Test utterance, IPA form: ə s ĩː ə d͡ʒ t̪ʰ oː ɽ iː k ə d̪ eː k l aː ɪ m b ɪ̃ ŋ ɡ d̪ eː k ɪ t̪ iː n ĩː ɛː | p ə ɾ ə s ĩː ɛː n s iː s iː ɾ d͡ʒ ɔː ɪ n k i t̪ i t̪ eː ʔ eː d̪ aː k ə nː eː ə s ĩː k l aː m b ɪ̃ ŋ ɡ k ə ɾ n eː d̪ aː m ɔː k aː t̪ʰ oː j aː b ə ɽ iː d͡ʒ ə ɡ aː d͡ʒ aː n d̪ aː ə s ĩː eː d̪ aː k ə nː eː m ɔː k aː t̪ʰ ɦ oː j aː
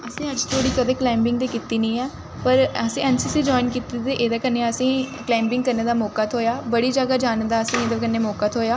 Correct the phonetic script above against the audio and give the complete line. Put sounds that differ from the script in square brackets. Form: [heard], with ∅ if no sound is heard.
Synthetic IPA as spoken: ə s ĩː ə d͡ʒ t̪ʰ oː ɽ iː k ə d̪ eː k l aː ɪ m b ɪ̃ ŋ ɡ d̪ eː k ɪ t̪ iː n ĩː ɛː | p ə ɾ ə s ĩː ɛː n s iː s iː [∅] d͡ʒ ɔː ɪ n k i t̪ i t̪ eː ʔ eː d̪ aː k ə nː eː ə s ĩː k l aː m b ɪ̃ ŋ ɡ k ə ɾ n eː d̪ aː m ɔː k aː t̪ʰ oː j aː b ə ɽ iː d͡ʒ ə ɡ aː d͡ʒ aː n d̪ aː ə s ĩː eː d̪ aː k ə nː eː m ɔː k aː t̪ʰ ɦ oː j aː